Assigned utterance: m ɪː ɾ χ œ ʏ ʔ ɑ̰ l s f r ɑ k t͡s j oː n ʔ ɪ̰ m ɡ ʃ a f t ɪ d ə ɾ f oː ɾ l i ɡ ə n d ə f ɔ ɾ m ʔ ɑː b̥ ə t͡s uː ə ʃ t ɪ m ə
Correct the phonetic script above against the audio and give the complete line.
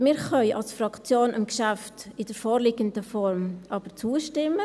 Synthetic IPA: m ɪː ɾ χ œ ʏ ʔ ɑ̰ l s f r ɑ k t͡s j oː n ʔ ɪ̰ m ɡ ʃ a f t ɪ d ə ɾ f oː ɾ l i ɡ ə n d ə f ɔ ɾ m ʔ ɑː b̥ ə t͡s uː ə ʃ t ɪ m ə